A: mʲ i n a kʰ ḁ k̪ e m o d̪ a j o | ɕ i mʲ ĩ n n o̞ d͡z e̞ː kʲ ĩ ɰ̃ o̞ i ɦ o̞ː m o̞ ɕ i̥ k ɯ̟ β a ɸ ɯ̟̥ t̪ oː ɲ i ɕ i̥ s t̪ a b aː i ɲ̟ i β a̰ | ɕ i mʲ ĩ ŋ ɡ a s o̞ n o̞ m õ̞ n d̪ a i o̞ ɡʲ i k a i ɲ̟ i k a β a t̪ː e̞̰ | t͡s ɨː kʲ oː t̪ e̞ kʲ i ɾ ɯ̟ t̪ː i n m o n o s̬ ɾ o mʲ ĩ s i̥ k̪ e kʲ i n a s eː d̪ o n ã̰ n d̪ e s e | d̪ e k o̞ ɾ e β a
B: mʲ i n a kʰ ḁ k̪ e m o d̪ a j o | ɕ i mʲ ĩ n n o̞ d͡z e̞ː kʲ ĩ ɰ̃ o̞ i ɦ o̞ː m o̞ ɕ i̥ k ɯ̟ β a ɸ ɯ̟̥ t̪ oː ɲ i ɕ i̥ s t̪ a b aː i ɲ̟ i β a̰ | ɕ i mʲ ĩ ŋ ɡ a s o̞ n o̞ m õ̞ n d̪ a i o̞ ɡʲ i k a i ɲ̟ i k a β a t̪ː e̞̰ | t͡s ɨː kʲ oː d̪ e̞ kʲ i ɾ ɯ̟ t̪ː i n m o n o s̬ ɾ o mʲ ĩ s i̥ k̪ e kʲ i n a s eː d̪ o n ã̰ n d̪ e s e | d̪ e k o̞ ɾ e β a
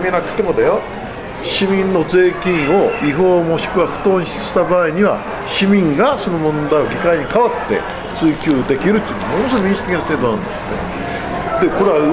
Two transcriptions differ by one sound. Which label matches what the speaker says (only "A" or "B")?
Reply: B